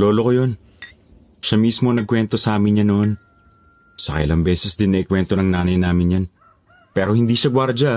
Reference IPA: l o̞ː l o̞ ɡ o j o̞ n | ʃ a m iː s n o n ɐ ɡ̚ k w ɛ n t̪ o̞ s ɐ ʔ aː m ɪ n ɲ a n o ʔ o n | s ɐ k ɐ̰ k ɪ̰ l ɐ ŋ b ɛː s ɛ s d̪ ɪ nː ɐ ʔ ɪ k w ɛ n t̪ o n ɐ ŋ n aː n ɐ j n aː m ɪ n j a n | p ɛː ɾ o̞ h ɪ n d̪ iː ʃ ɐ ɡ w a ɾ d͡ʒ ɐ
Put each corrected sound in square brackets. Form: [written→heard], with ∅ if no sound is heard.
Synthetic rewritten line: l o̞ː l o̞ [ɡ→k] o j o̞ n | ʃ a m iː s [n→m] o n ɐ ɡ̚ k w ɛ n t̪ o̞ s ɐ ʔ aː m ɪ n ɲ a n o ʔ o n | s ɐ k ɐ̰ [k→ʔ] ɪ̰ l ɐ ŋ b ɛː s ɛ s d̪ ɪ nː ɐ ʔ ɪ k w ɛ n t̪ o n ɐ ŋ n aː n ɐ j n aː m ɪ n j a n | p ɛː ɾ o̞ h ɪ n d̪ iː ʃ ɐ ɡ w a ɾ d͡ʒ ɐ